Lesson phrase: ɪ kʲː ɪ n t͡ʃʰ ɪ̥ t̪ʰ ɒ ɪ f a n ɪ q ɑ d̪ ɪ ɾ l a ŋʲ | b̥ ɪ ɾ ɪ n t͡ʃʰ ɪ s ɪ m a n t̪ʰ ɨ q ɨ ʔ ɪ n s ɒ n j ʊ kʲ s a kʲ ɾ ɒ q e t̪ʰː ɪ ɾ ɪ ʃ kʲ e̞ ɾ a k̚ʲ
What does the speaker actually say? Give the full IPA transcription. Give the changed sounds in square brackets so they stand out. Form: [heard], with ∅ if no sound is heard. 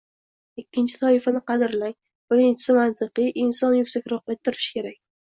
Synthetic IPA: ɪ kʲː ɪ n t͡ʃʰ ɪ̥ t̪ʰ ɒ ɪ f a n ɪ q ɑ d̪ ɪ ɾ l a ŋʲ | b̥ ɪ ɾ ɪ n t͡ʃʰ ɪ s ɪ m a n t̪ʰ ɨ q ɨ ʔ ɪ n s ɒ n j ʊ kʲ s a kʲ ɾ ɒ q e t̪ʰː ɪ ɾ ɪ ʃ kʲ e̞ ɾ a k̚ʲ